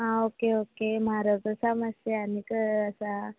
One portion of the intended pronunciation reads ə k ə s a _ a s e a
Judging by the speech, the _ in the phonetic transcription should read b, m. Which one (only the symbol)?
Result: m